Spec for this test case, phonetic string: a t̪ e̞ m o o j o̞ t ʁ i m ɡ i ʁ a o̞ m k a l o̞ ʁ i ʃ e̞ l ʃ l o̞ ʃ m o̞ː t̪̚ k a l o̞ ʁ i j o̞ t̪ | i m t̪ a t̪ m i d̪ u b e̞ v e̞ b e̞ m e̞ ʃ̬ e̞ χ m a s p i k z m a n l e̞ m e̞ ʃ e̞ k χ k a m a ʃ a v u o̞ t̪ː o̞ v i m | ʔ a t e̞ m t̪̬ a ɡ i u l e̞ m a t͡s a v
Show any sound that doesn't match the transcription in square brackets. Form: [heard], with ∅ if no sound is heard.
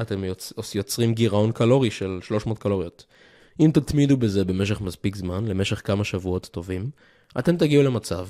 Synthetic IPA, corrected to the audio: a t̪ e̞ m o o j o̞ [t͡s] ʁ i m ɡ i ʁ a o̞ [n] k a l o̞ ʁ i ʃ e̞ l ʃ l o̞ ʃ m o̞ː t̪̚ k a l o̞ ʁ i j o̞ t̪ | i m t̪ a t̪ m i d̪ u b e̞ [z] e̞ b e̞ m e̞ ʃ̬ e̞ χ m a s p i k z m a n l e̞ m e̞ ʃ e̞ [∅] χ k a m a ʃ a v u o̞ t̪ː o̞ v i m | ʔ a t e̞ m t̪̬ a ɡ i u l e̞ m a t͡s a v